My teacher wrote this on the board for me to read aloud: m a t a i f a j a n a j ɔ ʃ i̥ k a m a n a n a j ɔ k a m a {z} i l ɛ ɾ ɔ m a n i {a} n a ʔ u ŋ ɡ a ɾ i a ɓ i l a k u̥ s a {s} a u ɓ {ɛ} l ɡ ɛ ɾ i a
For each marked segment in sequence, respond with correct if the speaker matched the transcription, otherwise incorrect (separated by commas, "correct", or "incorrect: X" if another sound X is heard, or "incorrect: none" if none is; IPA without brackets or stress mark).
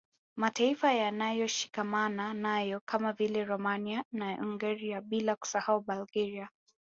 incorrect: v, correct, incorrect: h, incorrect: a